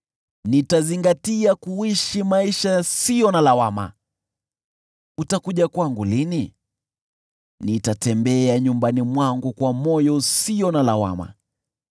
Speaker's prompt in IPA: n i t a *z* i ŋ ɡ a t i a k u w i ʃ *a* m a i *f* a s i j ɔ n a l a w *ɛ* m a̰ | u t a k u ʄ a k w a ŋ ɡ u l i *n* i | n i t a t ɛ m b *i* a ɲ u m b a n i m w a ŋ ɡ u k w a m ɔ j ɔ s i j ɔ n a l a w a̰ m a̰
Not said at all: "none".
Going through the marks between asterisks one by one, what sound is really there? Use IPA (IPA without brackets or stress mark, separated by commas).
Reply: z, i, ʃ, a, n, ɛ